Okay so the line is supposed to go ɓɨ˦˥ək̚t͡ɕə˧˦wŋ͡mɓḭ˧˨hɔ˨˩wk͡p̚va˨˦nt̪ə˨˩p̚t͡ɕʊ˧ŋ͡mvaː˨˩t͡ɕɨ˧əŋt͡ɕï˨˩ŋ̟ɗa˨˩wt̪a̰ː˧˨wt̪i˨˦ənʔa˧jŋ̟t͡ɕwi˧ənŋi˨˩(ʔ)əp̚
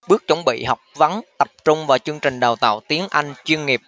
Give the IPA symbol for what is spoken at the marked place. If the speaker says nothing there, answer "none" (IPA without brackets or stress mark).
none